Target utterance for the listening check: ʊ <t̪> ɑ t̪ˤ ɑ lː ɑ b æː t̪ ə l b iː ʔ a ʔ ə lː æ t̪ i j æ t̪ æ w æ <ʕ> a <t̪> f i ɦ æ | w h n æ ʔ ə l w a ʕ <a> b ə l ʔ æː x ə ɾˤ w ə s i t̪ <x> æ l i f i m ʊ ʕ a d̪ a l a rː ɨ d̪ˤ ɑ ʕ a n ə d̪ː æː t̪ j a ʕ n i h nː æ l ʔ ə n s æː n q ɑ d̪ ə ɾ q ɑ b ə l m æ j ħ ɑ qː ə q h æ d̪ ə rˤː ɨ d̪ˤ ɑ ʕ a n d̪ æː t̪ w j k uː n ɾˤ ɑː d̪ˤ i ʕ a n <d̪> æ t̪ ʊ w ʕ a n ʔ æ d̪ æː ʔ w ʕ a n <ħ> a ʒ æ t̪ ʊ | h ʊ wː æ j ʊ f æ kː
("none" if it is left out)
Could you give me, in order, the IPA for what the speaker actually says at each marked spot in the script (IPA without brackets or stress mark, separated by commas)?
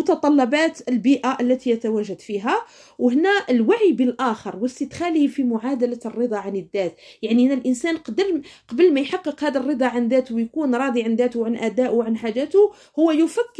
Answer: t̪, ʒ, d̪, i, x, d̪, ħ